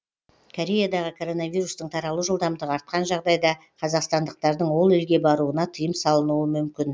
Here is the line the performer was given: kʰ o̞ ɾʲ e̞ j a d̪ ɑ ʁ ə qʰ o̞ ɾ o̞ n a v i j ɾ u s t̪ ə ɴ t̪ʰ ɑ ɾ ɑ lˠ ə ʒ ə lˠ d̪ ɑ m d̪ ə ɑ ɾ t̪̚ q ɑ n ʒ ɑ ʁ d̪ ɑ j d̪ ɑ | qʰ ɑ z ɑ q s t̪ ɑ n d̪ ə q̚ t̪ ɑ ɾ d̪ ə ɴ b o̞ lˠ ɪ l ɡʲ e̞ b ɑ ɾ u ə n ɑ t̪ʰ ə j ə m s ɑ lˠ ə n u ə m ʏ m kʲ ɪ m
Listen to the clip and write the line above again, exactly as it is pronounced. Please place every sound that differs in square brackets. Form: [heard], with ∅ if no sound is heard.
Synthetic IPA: kʰ o̞ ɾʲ e̞ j a d̪ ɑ ʁ ə [kʰ] o̞ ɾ o̞ n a v i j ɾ u s t̪ ə ɴ t̪ʰ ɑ ɾ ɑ lˠ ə ʒ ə lˠ d̪ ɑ m d̪ ə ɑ ɾ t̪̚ q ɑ n ʒ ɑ ʁ d̪ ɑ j d̪ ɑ | qʰ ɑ z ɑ q s t̪ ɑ n d̪ ə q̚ t̪ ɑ ɾ d̪ ə ɴ [w] o̞ lˠ ɪ l ɡʲ e̞ b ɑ ɾ u ə n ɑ t̪ʰ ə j ə m s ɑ lˠ ə n u ə m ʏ m kʲ ɪ [n]